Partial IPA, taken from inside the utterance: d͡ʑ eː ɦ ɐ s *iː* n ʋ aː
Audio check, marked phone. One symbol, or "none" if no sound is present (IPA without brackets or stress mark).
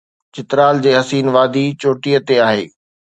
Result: iː